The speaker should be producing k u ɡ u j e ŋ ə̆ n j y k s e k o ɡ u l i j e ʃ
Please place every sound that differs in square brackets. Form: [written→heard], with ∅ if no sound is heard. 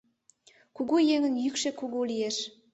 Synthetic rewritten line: k u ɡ u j e ŋ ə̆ n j y k [s→ʃ] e k [o→u] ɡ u l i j e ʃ